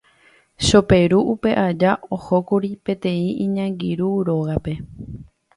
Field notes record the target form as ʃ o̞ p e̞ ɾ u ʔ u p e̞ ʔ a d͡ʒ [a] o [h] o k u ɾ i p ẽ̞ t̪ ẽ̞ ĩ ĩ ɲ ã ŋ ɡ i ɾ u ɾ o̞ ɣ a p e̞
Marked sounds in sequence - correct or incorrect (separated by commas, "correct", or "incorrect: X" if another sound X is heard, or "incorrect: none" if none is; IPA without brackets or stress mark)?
correct, correct